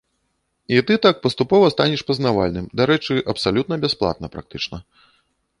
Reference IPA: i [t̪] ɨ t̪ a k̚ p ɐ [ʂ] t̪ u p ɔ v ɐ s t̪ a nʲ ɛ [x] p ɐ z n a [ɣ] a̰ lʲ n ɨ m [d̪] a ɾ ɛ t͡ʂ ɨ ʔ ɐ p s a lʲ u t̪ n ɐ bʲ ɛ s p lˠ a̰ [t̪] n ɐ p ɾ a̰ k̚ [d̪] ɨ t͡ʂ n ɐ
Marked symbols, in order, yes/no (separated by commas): yes, no, no, no, yes, yes, no